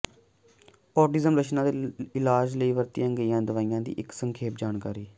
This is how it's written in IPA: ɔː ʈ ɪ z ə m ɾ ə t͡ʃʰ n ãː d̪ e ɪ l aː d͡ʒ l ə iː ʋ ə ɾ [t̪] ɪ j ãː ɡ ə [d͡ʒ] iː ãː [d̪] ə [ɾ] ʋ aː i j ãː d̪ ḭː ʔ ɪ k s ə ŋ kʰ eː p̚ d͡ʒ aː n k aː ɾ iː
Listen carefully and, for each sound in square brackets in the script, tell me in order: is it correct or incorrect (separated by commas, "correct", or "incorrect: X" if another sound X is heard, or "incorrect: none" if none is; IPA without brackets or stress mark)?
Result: correct, incorrect: none, correct, incorrect: none